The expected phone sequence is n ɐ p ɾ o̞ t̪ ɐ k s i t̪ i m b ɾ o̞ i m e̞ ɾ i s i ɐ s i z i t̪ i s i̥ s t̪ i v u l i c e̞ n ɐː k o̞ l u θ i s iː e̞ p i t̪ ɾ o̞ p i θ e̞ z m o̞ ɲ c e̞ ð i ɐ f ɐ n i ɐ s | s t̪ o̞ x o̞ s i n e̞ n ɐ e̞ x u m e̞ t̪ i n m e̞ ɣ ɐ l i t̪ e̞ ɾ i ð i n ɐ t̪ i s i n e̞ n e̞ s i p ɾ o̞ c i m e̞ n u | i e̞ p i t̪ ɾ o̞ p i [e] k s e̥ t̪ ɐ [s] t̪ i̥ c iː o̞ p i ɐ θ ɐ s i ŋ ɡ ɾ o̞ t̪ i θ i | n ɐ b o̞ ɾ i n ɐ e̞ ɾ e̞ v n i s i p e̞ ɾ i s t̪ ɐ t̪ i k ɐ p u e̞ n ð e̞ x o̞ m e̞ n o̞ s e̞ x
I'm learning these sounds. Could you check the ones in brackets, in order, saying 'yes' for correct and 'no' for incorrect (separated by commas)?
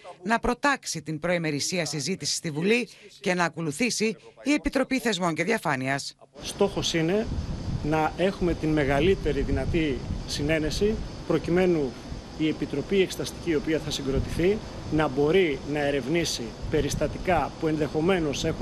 yes, yes